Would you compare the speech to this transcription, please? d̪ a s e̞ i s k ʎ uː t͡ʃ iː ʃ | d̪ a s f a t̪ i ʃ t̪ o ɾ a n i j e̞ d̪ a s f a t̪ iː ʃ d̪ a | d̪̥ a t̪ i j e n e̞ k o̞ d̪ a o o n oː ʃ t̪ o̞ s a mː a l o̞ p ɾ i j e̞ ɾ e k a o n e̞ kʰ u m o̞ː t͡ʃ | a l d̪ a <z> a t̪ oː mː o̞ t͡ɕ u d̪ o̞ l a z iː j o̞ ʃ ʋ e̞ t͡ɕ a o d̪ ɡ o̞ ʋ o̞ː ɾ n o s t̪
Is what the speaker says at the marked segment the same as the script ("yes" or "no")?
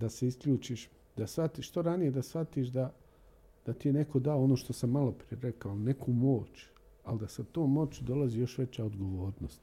no